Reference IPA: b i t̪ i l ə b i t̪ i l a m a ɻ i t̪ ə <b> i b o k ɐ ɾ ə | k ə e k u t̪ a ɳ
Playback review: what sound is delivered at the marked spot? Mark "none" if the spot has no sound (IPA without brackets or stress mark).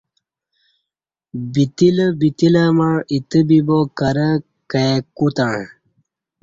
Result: b